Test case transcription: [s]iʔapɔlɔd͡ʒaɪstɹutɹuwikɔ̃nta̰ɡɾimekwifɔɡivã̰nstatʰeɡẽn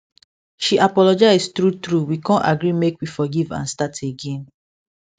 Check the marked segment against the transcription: incorrect: ʃ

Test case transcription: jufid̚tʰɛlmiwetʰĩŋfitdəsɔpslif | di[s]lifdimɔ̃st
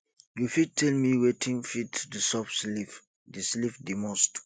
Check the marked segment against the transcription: correct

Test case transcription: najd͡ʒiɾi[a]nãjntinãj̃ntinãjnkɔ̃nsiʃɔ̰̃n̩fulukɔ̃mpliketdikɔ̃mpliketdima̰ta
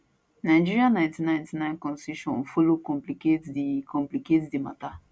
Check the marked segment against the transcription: correct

